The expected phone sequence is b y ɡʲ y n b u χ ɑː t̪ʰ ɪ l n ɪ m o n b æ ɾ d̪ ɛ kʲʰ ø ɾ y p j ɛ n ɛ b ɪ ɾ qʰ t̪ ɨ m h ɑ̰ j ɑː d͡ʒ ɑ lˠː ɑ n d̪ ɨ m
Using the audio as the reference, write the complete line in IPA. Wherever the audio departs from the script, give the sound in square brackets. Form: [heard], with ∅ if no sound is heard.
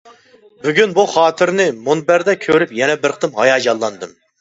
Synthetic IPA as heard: b y ɡʲ y n b u χ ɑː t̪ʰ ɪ [ɾ] n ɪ m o n b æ ɾ d̪ ɛ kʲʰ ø ɾ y p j ɛ n ɛ b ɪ ɾ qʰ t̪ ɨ m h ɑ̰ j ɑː d͡ʒ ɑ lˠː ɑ n d̪ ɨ m